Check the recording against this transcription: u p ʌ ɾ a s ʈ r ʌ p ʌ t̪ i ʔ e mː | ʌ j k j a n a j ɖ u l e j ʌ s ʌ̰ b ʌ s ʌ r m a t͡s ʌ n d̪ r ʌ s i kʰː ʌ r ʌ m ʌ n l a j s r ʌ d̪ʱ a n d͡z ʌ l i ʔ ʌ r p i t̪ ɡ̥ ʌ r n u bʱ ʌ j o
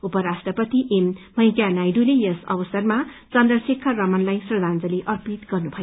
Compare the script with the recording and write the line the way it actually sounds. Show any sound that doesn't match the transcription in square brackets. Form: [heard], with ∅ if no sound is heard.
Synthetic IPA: u p ʌ ɾ a s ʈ r ʌ p ʌ t̪ i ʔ e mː | ʌ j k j a n a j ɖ u l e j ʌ s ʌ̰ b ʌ s ʌ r m a t͡s ʌ n d̪ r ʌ s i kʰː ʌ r ʌ m ʌ n l a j s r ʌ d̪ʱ a n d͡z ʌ l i ʔ ʌ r p i t̪ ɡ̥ ʌ r n u bʱ ʌ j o